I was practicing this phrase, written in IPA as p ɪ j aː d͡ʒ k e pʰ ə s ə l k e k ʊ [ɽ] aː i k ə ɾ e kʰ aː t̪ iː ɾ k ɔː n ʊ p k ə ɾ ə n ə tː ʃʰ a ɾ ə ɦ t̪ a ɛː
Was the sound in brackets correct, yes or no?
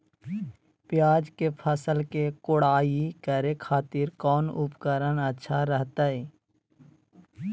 yes